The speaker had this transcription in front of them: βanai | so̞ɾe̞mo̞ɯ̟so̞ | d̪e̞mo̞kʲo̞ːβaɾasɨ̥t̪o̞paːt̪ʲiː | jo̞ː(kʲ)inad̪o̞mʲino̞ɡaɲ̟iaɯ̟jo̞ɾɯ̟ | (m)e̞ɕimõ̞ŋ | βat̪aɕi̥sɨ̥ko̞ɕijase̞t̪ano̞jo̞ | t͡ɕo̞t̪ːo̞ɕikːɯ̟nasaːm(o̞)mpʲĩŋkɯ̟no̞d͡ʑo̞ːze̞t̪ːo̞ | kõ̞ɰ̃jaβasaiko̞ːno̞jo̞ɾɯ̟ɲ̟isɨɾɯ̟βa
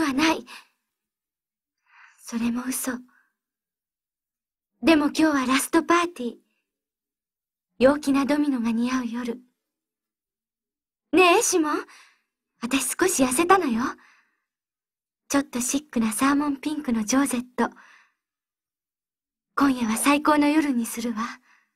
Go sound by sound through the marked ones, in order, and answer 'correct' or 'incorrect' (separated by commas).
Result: correct, incorrect, incorrect